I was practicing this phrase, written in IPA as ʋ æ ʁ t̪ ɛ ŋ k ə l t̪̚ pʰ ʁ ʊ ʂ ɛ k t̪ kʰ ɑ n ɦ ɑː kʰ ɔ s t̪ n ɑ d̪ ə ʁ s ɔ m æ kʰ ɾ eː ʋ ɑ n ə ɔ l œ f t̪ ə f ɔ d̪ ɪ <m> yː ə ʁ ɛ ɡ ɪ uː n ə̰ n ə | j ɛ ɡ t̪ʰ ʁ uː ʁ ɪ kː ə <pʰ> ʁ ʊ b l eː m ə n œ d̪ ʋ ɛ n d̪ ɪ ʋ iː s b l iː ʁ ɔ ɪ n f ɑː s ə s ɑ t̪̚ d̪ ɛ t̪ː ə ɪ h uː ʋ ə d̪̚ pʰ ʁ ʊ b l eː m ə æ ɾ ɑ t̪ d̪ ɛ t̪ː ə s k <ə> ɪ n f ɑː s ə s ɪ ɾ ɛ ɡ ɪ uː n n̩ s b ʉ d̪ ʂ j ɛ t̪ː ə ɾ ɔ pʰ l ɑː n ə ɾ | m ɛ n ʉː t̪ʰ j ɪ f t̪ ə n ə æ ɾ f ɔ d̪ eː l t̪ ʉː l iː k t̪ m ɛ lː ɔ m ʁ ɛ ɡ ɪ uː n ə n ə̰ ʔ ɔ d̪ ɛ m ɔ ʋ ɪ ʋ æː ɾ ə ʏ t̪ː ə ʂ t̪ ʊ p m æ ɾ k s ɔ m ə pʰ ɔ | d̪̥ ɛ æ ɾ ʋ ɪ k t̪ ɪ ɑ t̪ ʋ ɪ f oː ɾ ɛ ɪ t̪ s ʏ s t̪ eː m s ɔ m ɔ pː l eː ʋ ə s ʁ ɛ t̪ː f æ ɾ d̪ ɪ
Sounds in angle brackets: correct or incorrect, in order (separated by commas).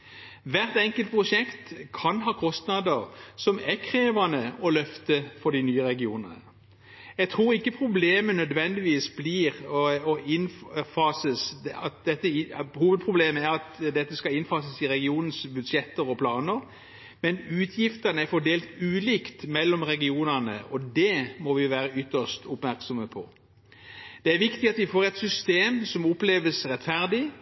incorrect, correct, incorrect